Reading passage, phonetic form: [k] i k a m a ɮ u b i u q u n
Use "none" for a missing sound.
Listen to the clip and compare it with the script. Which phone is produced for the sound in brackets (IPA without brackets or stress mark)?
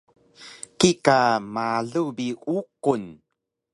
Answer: k